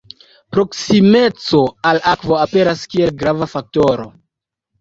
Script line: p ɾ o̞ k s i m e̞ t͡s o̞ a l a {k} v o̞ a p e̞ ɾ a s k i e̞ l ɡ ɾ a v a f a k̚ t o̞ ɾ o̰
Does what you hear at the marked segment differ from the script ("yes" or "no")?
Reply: no